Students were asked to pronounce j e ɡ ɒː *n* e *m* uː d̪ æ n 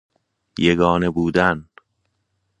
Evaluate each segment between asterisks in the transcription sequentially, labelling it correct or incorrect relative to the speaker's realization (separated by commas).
correct, incorrect